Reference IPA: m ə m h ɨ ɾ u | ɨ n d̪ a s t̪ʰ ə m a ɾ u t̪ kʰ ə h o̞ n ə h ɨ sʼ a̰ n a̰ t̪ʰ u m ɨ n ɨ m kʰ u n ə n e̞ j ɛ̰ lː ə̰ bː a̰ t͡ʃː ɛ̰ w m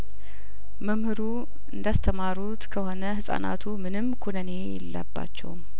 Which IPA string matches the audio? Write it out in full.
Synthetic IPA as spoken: m ə m h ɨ ɾ u | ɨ n d̪ a s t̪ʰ ə m a ɾ u t̪ kʰ ə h o̞ n ə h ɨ sʼ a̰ n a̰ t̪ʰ u m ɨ n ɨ m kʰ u n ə n e̞ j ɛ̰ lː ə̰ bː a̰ t͡ʃː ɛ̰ w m